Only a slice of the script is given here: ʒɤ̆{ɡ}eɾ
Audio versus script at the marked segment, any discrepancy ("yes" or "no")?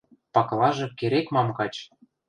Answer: yes